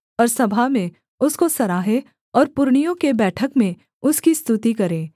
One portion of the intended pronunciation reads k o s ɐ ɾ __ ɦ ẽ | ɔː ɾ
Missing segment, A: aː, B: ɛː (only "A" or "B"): A